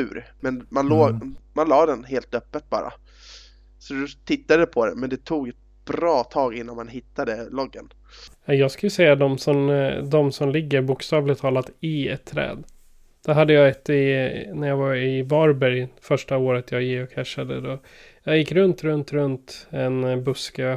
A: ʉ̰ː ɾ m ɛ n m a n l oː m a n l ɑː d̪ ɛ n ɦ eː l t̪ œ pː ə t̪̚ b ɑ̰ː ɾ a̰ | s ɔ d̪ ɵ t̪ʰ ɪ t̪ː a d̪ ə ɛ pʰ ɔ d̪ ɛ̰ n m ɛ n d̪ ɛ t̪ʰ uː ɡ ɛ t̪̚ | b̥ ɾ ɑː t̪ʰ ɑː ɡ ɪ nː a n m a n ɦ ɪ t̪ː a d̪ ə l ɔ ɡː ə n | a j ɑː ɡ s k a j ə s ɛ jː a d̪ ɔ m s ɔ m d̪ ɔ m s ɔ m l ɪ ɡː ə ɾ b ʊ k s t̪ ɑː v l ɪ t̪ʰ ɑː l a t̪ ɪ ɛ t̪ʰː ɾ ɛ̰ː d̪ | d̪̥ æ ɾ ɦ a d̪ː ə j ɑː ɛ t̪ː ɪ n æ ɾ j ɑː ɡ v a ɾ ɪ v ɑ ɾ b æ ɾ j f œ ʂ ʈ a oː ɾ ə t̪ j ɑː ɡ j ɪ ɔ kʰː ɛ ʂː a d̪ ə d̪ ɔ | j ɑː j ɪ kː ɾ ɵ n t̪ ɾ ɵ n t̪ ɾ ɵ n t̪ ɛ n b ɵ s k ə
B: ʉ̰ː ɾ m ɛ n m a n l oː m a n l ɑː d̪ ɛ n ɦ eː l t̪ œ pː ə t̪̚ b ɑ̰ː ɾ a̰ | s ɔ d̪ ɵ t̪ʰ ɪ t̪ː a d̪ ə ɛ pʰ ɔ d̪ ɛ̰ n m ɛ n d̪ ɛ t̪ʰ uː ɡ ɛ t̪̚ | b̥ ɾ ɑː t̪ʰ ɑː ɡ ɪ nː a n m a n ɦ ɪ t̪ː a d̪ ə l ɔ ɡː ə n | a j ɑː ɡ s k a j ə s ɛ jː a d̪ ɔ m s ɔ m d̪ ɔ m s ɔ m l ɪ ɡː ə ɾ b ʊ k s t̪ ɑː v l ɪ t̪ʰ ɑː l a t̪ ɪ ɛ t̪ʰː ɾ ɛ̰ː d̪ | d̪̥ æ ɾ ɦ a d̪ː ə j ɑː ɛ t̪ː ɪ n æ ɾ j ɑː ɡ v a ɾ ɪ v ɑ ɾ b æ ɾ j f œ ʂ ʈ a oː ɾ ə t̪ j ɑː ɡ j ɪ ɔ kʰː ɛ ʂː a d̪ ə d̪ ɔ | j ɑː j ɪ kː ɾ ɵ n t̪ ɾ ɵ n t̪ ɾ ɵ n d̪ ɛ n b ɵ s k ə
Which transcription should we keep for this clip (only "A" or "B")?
A